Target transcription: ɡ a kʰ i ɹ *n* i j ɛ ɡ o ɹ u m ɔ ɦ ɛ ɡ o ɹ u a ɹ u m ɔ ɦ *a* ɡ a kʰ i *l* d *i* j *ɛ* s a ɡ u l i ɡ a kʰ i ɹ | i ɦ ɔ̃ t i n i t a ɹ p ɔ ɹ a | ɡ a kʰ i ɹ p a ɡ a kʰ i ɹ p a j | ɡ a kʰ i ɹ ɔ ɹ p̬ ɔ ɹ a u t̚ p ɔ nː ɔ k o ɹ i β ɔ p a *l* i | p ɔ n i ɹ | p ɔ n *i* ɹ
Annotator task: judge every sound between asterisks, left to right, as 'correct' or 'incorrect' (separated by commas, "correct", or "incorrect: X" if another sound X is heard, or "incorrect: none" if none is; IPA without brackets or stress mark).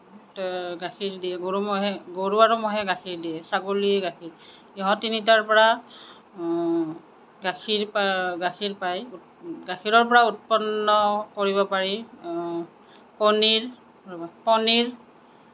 incorrect: d, incorrect: ɛ, incorrect: ɹ, correct, correct, incorrect: ɹ, correct